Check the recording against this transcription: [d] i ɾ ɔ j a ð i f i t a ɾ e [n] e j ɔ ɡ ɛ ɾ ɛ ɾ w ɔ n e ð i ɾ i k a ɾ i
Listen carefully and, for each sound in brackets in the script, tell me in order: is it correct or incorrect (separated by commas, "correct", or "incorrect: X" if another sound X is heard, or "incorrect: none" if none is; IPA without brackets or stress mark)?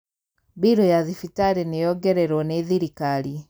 incorrect: b, correct